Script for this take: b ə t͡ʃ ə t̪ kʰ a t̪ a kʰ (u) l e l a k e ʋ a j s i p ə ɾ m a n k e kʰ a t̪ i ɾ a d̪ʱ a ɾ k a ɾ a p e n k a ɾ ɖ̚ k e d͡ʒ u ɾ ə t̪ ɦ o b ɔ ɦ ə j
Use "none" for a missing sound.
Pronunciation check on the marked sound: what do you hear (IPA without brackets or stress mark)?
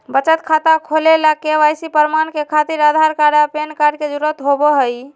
o